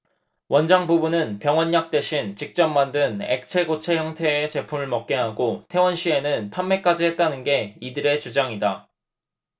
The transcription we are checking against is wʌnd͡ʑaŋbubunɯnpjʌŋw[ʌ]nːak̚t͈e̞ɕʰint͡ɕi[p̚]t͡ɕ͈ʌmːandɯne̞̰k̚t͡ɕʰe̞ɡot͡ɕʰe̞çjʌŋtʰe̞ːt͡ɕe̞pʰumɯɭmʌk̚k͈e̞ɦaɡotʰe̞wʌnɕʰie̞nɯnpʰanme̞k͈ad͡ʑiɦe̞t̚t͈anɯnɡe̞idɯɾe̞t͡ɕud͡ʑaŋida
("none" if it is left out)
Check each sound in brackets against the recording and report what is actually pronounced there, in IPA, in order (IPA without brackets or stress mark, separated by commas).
ʌ, k̚